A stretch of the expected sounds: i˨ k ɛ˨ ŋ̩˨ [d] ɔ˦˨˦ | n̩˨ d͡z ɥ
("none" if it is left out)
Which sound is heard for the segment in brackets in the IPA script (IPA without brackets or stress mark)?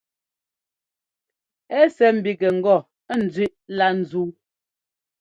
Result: ɡ